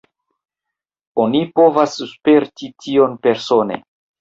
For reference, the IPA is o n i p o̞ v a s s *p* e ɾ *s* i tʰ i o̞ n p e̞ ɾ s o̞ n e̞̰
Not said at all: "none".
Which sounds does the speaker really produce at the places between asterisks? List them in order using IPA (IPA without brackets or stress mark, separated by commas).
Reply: p, t